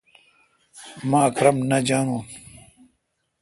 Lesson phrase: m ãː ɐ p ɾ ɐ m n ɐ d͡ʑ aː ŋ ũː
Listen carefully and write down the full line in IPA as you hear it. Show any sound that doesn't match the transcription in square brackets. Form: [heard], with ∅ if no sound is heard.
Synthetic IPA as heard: m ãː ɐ [k] ɾ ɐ m n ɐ d͡ʑ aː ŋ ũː